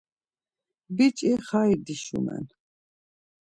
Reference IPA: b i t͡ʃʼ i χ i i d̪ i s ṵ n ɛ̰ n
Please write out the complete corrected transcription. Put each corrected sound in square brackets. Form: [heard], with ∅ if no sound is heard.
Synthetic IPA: b i t͡ʃʼ i χ [a] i d̪ i [ʃ] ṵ [m] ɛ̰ n